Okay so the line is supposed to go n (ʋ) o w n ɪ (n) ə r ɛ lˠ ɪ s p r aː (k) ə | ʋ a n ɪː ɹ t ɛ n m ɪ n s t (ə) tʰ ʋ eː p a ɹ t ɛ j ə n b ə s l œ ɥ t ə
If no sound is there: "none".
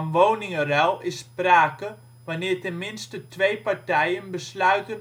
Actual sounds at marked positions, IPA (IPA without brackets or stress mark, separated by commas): ʋ, ŋ, k, ə